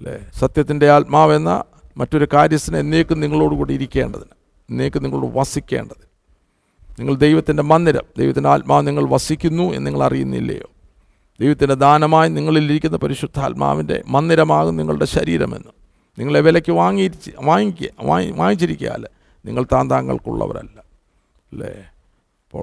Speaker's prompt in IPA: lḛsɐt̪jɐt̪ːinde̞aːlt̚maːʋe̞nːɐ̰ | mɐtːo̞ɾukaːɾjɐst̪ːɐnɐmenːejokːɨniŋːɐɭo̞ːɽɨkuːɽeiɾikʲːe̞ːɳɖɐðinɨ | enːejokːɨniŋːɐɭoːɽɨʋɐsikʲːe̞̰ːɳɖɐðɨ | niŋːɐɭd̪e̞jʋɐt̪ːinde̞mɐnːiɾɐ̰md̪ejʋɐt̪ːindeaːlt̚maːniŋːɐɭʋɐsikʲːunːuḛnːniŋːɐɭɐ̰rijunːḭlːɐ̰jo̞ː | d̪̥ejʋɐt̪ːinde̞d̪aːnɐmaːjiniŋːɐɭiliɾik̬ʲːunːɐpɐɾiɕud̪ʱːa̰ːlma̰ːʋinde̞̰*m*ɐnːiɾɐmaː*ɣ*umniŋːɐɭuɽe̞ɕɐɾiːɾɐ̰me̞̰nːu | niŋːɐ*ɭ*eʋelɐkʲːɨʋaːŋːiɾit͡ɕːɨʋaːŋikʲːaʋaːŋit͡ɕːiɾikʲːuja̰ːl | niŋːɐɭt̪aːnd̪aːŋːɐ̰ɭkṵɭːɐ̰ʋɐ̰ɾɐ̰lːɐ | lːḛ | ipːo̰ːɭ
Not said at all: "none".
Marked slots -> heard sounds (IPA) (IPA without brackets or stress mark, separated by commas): m, ɣ, ɭ